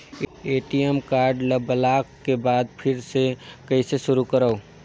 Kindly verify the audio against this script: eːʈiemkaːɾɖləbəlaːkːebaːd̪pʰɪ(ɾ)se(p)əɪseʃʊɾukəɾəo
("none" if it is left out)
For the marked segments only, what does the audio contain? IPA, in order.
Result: ɾ, k

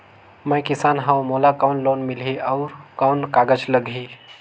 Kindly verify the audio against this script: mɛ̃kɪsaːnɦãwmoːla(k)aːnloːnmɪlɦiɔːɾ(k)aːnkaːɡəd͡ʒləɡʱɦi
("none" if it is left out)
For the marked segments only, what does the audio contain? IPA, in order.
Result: k, k

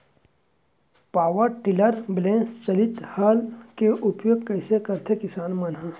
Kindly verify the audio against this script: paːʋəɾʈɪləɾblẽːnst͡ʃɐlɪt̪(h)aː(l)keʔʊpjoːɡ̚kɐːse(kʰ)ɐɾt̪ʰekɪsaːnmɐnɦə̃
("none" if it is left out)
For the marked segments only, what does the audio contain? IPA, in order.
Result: h, l, k

